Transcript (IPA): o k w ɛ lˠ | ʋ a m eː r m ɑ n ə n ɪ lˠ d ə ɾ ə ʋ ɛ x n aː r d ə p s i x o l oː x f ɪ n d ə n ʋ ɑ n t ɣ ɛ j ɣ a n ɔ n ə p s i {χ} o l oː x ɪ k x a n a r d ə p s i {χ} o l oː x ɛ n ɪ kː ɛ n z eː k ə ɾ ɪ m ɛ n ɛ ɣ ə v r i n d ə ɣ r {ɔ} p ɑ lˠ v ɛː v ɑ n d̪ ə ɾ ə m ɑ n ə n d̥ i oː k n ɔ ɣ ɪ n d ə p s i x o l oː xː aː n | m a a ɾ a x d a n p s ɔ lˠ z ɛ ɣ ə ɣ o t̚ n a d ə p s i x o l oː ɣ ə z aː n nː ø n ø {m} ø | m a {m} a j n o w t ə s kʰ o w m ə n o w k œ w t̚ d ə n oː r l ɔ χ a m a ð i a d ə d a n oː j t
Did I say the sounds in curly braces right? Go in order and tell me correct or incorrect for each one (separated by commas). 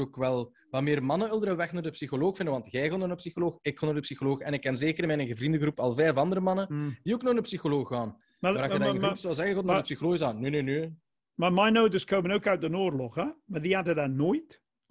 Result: incorrect, incorrect, incorrect, incorrect, correct